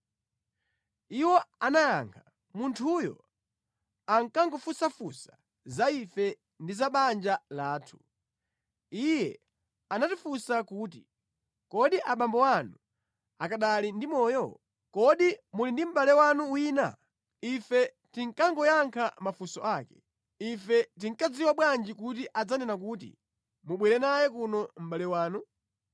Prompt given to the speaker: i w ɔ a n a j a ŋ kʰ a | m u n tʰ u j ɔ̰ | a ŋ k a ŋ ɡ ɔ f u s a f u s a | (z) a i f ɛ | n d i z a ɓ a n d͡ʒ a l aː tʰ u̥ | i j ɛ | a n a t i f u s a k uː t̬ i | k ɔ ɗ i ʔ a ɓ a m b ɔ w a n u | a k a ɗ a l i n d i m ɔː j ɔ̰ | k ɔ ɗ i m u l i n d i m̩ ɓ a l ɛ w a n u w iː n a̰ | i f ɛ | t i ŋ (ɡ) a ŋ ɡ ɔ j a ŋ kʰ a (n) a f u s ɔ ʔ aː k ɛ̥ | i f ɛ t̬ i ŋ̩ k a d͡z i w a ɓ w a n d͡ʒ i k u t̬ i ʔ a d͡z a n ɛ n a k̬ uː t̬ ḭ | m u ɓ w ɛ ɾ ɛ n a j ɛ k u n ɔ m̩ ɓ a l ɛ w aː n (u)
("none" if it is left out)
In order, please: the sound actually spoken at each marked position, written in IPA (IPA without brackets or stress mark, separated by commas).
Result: z, k, m, u